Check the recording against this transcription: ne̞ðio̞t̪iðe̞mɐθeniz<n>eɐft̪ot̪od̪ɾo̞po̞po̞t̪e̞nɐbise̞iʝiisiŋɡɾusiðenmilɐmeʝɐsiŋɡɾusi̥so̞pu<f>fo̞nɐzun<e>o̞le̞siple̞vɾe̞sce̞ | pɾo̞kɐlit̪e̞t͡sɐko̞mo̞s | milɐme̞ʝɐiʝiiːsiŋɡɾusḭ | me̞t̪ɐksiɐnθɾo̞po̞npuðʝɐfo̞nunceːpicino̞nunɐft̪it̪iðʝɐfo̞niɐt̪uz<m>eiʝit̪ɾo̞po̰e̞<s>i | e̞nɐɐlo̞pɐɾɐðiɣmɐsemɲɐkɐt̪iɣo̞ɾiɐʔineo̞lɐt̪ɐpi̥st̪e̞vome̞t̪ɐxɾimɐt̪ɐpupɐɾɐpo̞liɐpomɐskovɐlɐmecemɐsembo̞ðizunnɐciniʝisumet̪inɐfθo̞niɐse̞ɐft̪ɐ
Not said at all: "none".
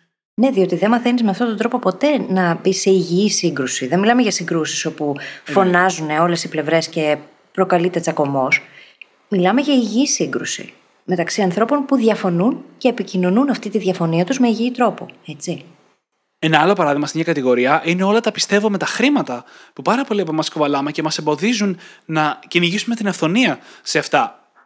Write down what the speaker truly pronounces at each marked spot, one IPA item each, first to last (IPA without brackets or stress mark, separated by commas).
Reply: m, f, e, m, t͡s